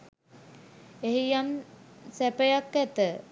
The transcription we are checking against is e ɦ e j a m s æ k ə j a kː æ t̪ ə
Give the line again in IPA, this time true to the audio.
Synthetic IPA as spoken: e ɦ i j a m s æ p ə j a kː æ t̪ ə